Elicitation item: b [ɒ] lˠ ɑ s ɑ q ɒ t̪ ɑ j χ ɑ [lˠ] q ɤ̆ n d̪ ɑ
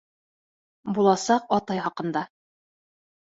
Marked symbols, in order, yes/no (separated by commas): no, no